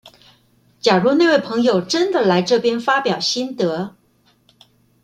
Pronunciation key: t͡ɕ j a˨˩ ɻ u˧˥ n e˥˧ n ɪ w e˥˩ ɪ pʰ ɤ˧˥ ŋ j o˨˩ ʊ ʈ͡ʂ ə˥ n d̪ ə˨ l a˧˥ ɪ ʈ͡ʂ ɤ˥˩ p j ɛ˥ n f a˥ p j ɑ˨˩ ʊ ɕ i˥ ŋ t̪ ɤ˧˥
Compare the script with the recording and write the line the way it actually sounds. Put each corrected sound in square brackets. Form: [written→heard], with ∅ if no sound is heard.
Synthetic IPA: t͡ɕ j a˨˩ ɻ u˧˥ n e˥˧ [n→∅] ɪ w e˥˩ ɪ pʰ ɤ˧˥ ŋ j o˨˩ ʊ ʈ͡ʂ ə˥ n d̪ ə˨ l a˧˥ ɪ ʈ͡ʂ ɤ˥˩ p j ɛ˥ n f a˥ p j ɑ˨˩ ʊ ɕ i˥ [ŋ→n] t̪ ɤ˧˥